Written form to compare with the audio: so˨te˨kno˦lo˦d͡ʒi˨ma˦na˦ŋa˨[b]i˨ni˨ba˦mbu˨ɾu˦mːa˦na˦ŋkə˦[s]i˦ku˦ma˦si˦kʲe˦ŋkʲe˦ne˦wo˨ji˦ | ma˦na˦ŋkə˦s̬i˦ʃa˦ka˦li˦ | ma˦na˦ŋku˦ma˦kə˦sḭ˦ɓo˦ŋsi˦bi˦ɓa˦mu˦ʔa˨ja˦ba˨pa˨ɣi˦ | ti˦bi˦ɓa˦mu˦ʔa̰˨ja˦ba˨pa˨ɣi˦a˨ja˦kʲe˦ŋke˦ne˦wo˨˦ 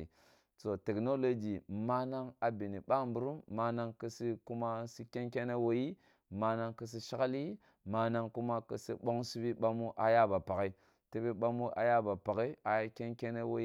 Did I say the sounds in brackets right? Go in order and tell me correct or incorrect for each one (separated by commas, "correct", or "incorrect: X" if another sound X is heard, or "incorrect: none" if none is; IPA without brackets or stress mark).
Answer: correct, correct